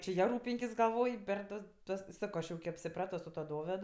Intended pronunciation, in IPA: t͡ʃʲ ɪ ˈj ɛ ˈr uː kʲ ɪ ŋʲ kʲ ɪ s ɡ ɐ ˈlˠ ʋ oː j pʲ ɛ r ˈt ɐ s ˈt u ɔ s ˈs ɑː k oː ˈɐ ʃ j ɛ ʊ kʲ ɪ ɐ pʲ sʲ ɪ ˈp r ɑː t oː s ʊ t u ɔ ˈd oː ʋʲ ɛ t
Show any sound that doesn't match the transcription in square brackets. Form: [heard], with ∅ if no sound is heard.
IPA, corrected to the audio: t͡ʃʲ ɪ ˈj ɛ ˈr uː [pʲ] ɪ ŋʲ kʲ ɪ s ɡ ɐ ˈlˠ ʋ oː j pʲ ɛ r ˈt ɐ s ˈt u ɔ s ˈs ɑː k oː ˈɐ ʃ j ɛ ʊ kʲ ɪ ɐ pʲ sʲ ɪ ˈp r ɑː t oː s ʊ t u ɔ ˈd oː ʋʲ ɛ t